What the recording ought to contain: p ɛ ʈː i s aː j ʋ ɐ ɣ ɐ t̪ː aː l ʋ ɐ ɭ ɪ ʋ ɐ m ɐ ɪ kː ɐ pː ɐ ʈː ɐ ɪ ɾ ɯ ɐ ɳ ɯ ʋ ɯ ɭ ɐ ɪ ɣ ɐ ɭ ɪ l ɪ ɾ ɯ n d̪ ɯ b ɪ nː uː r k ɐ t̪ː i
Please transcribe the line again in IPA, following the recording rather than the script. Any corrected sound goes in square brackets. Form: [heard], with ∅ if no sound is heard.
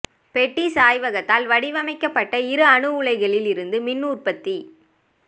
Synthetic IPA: p ɛ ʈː i s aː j ʋ ɐ ɣ ɐ t̪ː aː l ʋ ɐ [ɽ] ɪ ʋ ɐ m ɐ ɪ kː ɐ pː ɐ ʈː ɐ ɪ ɾ ɯ ɐ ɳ ɯ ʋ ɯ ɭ ɐ ɪ ɣ ɐ ɭ ɪ l ɪ ɾ ɯ n d̪ ɯ [m] ɪ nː uː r [p] ɐ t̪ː i

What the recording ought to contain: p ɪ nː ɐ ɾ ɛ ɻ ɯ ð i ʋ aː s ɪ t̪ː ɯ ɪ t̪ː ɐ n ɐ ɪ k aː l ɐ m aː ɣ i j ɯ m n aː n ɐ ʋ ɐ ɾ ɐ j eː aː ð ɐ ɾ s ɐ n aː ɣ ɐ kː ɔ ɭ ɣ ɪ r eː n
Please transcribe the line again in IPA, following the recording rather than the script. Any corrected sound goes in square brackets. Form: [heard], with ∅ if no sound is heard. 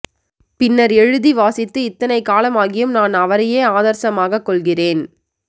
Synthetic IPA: p ɪ nː ɐ ɾ ɛ ɻ ɯ ð i ʋ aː s ɪ t̪ː ɯ ɪ t̪ː ɐ n ɐ ɪ k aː l ɐ m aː ɣ [ɪ] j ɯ m n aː n ɐ ʋ ɐ ɾ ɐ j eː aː ð ɐ ɾ s ɐ [m] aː ɣ ɐ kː ɔ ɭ ɣ ɪ r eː n

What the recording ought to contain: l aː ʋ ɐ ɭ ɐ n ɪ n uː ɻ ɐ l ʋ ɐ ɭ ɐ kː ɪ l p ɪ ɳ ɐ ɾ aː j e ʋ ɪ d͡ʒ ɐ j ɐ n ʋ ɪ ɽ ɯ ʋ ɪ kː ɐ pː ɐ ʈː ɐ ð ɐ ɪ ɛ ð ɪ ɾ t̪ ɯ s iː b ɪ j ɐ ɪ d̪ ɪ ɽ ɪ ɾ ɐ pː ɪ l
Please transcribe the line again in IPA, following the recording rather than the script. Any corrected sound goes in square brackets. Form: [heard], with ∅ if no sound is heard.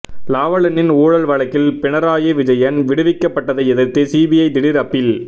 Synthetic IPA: l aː ʋ ɐ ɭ ɐ n ɪ n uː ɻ ɐ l ʋ ɐ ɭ ɐ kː ɪ l p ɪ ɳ ɐ ɾ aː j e ʋ ɪ d͡ʒ ɐ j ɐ n ʋ ɪ ɽ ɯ ʋ ɪ kː ɐ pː ɐ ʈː ɐ ð ɐ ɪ ɛ ð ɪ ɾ t̪ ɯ s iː b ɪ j ɐ ɪ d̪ ɪ ɽ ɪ ɾ ɐ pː ɪ l

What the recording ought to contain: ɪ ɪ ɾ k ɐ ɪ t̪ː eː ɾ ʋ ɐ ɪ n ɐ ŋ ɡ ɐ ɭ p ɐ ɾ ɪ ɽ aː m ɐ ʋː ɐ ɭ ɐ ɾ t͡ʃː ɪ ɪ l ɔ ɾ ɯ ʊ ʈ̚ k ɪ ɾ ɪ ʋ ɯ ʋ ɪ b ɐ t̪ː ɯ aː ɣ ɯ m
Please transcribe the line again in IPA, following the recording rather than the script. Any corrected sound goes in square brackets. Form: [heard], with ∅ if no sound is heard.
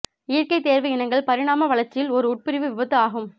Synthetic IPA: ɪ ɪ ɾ k ɐ ɪ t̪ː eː ɾ ʋ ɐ ɪ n ɐ ŋ ɡ ɐ ɭ p ɐ ɾ ɪ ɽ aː m ɐ [ʋ] ɐ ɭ ɐ ɾ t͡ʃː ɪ ɪ l ɔ ɾ ɯ ʊ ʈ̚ [p] ɪ ɾ ɪ ʋ ɯ ʋ ɪ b ɐ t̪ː ɯ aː ɣ ɯ m

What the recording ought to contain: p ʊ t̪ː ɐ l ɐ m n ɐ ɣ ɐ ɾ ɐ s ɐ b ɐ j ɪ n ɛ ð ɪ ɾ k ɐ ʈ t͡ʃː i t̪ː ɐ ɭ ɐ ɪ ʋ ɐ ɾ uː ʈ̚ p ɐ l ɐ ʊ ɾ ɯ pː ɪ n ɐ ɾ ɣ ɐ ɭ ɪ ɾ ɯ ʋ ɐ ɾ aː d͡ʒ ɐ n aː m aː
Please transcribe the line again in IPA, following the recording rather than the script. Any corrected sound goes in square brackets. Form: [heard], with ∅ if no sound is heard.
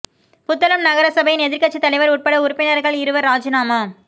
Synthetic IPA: p ʊ t̪ː ɐ l ɐ m n ɐ ɣ ɐ ɾ ɐ s ɐ b ɐ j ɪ n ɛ ð ɪ ɾ k ɐ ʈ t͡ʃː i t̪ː ɐ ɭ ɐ ɪ ʋ ɐ ɾ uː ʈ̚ p ɐ [ɽ] ɐ ʊ ɾ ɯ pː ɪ n ɐ ɾ ɣ ɐ ɭ ɪ ɾ ɯ ʋ ɐ ɾ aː d͡ʒ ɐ n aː m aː

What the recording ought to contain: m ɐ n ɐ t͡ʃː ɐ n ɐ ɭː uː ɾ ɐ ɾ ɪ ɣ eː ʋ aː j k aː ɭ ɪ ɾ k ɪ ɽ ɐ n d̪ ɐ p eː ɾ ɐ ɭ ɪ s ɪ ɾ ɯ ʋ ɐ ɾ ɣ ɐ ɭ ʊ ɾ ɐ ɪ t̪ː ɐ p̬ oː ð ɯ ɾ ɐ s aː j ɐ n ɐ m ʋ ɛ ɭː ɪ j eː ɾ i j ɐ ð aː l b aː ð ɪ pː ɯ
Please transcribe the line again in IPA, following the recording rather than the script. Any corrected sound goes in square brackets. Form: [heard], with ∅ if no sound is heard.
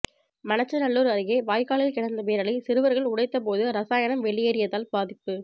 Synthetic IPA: m ɐ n ɐ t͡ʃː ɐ n ɐ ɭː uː ɾ ɐ ɾ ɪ ɣ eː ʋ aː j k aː ɭ ɪ [l] k ɪ ɽ ɐ n d̪ ɐ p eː ɾ ɐ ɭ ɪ s ɪ ɾ ɯ ʋ ɐ ɾ ɣ ɐ ɭ ʊ [ɽ] ɐ ɪ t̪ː ɐ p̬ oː ð ɯ ɾ ɐ s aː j ɐ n ɐ m ʋ ɛ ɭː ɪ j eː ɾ [ɪ] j ɐ ð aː l b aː ð ɪ pː ɯ

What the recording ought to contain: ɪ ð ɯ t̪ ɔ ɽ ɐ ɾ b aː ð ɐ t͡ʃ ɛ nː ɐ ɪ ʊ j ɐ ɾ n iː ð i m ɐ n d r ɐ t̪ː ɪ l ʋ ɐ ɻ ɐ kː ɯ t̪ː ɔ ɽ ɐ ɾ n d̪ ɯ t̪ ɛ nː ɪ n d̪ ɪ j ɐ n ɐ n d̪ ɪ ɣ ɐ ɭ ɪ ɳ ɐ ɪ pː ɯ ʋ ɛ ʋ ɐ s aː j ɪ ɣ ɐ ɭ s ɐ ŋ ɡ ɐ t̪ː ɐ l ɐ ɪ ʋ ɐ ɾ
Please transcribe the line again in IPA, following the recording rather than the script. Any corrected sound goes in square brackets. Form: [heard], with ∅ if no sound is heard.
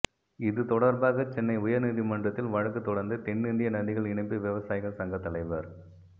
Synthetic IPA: ɪ ð ɯ t̪ ɔ ɽ ɐ ɾ b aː [ɣ] ɐ t͡ʃ ɛ nː ɐ ɪ ʊ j ɐ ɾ n iː ð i m ɐ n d r ɐ t̪ː ɪ l ʋ ɐ ɻ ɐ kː ɯ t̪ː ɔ ɽ ɐ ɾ n d̪ ɯ t̪ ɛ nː ɪ n d̪ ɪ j ɐ n ɐ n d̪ ɪ ɣ ɐ ɭ ɪ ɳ ɐ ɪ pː ɯ ʋ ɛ ʋ ɐ s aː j ɪ ɣ ɐ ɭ s ɐ ŋ ɡ ɐ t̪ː ɐ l ɐ ɪ ʋ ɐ ɾ

